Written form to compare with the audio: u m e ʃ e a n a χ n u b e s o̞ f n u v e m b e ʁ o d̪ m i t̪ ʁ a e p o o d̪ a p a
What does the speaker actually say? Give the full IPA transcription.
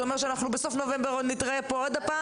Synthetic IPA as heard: o m e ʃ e a n a χ n u b e s o̞ f n o v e m b e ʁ o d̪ n i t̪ ʁ a e p o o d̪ a p a